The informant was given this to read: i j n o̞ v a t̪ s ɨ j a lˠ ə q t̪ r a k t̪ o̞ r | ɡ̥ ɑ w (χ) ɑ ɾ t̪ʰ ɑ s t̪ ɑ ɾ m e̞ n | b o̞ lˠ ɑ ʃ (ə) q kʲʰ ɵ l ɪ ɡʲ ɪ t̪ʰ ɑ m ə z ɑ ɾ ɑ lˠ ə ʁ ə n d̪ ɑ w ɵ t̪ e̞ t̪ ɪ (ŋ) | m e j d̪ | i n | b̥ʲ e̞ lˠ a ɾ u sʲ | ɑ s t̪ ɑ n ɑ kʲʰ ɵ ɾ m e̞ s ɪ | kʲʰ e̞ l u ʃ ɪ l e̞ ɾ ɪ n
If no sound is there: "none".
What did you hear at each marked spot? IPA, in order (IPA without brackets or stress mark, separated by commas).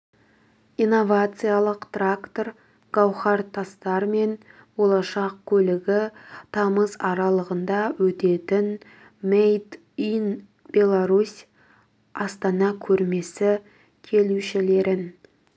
χ, ɑ, n